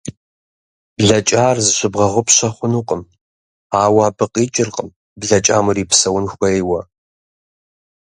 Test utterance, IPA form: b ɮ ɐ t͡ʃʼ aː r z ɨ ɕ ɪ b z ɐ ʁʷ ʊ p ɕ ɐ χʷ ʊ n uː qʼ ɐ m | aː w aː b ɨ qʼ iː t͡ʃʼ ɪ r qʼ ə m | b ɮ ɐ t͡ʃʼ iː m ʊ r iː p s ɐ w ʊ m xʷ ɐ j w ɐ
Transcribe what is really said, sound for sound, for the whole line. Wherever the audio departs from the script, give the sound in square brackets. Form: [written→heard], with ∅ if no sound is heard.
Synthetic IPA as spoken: b ɮ ɐ t͡ʃʼ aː r z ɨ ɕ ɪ b [z→ʁ] ɐ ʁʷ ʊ p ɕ ɐ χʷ ʊ n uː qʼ [ɐ→ə] m | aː w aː b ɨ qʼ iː t͡ʃʼ ɪ r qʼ ə m | b ɮ ɐ t͡ʃʼ [iː→aː] m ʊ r iː p s ɐ w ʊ [m→n] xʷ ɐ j w ɐ